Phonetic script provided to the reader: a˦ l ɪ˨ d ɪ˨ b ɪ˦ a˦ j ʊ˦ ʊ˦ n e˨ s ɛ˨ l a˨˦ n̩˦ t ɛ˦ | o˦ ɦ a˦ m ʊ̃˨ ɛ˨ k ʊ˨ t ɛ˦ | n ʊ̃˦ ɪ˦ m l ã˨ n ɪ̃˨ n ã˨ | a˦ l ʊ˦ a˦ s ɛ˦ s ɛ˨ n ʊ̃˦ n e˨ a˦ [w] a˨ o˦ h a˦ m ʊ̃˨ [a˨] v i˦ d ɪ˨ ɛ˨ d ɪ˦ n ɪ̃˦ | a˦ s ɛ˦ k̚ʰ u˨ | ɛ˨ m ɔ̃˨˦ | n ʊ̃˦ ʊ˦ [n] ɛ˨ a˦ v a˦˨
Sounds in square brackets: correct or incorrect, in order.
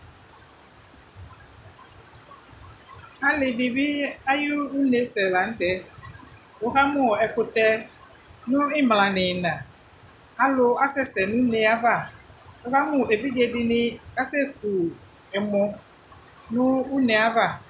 incorrect: v, incorrect: e˨, correct

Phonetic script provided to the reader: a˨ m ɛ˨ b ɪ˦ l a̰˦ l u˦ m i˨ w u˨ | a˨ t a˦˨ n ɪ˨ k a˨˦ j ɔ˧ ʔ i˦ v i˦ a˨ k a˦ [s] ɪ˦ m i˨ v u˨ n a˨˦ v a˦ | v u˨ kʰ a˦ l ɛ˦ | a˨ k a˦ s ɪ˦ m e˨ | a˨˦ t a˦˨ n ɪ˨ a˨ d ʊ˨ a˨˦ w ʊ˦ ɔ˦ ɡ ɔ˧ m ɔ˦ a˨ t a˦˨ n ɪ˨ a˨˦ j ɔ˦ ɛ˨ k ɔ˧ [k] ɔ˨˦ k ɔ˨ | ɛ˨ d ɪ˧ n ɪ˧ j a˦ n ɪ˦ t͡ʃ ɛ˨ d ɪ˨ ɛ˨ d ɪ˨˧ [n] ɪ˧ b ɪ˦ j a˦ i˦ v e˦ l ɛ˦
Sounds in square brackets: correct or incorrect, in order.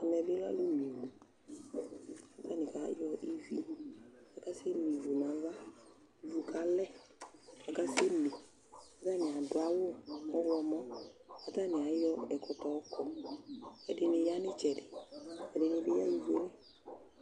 correct, incorrect: t, correct

